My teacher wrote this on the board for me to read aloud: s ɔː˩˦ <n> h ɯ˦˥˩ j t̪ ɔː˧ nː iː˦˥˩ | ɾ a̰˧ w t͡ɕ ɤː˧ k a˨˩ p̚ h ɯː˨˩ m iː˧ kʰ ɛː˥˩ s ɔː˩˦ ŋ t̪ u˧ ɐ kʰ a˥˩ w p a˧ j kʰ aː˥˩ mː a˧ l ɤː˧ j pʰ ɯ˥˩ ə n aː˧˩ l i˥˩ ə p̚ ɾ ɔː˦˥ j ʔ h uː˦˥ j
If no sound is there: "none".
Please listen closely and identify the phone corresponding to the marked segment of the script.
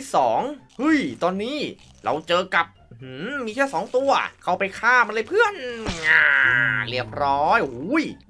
ŋ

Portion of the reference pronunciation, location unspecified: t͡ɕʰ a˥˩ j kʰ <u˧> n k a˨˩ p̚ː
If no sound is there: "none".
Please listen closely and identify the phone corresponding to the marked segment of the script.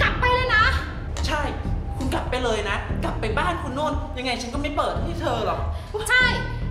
u˧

